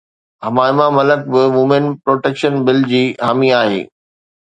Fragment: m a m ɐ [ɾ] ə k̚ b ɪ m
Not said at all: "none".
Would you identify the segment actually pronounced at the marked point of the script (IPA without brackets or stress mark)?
l